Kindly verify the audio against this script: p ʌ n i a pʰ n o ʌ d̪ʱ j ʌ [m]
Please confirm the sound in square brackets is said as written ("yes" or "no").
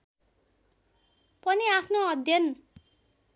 no